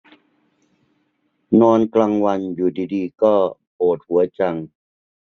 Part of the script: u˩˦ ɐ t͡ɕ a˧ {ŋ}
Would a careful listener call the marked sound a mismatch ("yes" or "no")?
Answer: no